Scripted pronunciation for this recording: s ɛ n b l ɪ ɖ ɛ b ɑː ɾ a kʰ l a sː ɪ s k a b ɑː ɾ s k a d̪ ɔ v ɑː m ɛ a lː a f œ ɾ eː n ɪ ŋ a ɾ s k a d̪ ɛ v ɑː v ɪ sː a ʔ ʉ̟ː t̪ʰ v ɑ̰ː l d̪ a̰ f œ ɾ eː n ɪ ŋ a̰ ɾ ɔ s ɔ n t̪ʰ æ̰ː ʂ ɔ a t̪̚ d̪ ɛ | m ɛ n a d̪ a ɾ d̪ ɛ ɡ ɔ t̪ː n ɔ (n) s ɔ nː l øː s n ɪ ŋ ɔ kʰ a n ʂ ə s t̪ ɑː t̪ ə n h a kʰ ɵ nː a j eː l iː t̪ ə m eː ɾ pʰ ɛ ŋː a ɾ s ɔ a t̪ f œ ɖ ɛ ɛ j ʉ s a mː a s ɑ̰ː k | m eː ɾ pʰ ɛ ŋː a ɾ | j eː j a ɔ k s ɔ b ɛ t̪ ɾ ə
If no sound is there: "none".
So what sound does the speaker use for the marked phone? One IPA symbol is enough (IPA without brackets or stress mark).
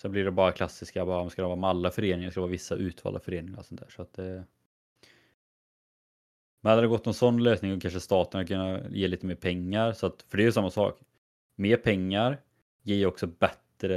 n